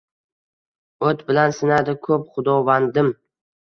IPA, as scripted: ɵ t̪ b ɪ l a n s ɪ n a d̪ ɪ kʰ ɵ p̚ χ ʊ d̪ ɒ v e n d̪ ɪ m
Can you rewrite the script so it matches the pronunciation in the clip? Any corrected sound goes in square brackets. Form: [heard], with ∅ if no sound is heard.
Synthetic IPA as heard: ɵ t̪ b ɪ l a n s ɪ n a d̪ ɪ kʰ ɵ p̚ χ ʊ d̪ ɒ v [a] n d̪ ɪ m